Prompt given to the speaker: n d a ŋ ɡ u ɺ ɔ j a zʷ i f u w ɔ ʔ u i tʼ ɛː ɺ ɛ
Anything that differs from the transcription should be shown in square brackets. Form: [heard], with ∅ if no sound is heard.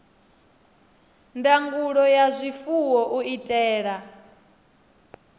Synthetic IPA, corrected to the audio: n d a ŋ ɡ u ɺ ɔ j a zʷ i f u w ɔ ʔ u i tʼ ɛː ɺ [a]